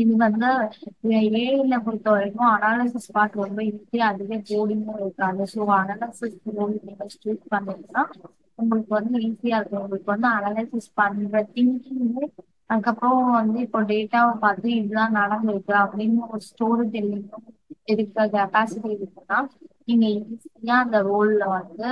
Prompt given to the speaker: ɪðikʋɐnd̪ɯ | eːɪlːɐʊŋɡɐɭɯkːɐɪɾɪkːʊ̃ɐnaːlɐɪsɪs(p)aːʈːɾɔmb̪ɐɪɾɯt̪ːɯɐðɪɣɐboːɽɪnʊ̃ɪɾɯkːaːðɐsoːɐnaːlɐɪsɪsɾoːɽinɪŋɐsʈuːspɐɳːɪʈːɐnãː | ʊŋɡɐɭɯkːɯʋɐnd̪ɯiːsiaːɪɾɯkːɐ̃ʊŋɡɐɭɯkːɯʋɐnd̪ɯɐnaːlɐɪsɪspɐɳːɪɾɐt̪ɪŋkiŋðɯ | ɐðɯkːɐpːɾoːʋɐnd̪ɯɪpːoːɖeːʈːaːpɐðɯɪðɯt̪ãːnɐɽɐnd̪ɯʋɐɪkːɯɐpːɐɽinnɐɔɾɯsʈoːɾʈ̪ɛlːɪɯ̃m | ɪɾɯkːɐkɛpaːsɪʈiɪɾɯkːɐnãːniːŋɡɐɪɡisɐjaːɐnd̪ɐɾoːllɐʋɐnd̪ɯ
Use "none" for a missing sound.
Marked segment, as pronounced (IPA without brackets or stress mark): p